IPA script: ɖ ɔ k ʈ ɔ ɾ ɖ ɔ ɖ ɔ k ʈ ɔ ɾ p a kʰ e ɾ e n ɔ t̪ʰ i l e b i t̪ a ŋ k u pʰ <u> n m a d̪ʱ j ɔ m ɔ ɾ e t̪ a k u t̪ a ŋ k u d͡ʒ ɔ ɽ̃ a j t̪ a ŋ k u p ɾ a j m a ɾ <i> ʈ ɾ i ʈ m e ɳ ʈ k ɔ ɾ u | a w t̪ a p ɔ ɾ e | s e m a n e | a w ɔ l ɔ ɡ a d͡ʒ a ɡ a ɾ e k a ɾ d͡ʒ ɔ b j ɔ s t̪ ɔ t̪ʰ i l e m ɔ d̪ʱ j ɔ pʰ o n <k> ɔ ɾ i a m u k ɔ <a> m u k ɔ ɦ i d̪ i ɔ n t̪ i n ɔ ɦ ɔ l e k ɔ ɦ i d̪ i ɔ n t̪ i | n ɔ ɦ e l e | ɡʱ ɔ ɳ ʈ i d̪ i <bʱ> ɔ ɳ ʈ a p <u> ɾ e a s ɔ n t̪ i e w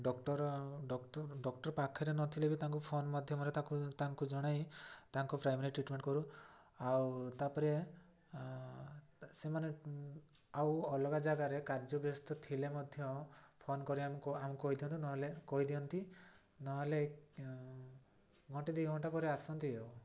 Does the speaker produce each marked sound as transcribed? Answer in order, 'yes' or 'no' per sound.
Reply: no, yes, yes, yes, no, no

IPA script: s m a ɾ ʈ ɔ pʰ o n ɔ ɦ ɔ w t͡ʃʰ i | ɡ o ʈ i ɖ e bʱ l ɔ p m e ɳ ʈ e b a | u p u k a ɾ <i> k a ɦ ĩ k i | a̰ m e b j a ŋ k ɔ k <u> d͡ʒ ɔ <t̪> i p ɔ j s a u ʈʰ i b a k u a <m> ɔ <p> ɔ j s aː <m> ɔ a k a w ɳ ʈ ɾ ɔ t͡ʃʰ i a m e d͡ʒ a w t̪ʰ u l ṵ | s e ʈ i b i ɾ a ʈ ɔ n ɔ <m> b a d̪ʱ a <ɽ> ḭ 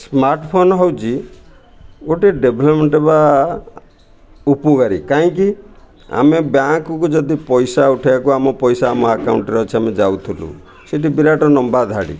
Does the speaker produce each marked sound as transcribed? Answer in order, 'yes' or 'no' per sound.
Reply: yes, yes, no, yes, yes, yes, yes, yes

